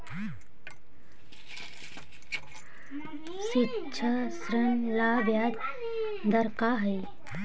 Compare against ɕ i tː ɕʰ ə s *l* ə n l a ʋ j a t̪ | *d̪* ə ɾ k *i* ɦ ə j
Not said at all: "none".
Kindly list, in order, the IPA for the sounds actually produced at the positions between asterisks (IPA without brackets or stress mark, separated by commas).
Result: ɾ, d̪, a